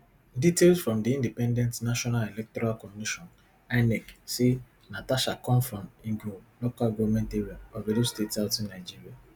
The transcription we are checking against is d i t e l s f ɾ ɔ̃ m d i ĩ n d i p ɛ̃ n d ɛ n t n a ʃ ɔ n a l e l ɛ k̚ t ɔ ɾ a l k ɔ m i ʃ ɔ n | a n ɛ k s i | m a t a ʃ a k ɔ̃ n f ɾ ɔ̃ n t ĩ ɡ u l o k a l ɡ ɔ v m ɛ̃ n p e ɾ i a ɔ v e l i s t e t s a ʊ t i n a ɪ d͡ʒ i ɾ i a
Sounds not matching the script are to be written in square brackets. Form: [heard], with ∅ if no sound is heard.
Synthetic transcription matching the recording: d i t e l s f ɾ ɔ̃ m d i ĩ n d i p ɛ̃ n d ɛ n t n a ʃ ɔ n a l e l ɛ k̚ t ɔ ɾ a l k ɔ m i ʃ ɔ n | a n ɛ k s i | [n] a t a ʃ a k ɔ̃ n f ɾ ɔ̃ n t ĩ ɡ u l o k a l ɡ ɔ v m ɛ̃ n [t] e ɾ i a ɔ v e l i s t e t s a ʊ t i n a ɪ d͡ʒ i ɾ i a